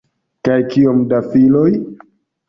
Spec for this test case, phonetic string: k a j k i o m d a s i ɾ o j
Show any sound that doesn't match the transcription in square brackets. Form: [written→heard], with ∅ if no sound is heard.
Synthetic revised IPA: k a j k i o m d a [s→f] i [ɾ→l] o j